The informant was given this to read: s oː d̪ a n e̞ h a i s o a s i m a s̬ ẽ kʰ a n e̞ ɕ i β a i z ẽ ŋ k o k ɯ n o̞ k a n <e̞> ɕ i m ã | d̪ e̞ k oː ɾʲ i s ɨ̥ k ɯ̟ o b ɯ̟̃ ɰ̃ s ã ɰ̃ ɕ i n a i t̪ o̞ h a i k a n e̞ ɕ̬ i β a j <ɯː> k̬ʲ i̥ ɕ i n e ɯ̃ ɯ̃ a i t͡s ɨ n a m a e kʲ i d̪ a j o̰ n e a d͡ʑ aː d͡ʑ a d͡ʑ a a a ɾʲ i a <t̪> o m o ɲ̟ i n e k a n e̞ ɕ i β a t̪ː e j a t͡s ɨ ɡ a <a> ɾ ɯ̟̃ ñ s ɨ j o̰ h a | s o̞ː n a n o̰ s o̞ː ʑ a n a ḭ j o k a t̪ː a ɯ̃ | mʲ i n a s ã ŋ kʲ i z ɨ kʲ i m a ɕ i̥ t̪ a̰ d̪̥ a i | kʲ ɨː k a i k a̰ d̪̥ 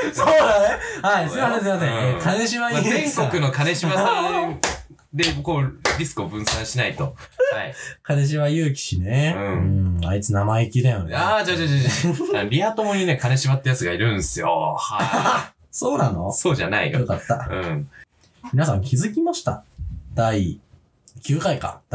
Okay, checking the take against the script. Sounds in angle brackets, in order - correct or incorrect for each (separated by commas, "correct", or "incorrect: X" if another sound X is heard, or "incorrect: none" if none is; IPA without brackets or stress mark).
correct, correct, correct, incorrect: i